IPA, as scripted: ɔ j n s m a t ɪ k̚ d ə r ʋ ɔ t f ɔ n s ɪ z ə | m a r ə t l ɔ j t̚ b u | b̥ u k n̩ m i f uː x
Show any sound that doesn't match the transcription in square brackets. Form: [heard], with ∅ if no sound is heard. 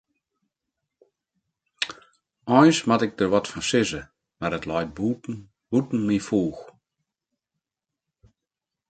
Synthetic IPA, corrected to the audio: ɔ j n s m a t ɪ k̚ d ə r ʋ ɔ t f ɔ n s ɪ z ə | m a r ə t l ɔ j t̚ b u | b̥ u [t] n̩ m i f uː x